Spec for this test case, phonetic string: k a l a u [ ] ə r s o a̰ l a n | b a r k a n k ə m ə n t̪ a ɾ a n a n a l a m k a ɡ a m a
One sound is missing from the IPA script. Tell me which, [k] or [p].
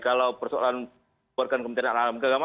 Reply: p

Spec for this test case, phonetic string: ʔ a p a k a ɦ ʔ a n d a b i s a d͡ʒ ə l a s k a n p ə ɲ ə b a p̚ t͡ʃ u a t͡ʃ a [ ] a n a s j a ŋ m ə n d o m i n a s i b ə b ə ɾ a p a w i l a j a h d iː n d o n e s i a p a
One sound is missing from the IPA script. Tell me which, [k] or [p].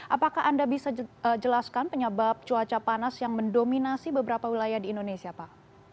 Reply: p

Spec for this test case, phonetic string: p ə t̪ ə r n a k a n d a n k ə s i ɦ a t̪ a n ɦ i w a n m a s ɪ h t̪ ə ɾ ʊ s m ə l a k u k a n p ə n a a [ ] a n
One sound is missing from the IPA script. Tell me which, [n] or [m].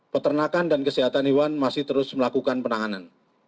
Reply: n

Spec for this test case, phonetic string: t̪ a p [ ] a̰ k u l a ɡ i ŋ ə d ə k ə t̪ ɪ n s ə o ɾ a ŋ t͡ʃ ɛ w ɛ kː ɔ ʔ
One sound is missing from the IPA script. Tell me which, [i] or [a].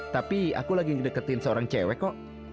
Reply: i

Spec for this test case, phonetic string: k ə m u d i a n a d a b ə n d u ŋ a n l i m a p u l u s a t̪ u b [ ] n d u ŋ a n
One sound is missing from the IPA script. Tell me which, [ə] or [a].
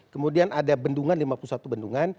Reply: ə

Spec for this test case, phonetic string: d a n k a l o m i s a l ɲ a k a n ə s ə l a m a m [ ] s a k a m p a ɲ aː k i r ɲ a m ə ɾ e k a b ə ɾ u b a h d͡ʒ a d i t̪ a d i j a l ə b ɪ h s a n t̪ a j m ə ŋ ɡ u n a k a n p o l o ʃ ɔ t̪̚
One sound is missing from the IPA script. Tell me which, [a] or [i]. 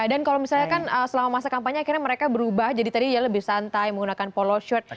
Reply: a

